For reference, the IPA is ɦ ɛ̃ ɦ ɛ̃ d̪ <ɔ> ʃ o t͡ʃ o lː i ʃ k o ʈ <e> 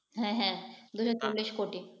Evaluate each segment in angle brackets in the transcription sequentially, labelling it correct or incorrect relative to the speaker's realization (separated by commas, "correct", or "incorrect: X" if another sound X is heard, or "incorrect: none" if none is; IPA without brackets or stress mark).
incorrect: u, incorrect: i